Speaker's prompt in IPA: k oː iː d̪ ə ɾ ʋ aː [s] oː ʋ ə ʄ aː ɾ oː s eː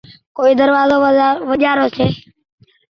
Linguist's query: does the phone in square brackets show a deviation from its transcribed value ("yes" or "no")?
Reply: yes